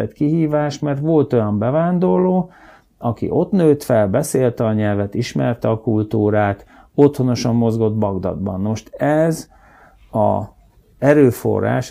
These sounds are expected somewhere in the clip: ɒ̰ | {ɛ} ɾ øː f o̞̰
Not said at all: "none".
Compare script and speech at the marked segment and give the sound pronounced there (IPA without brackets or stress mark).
ɛ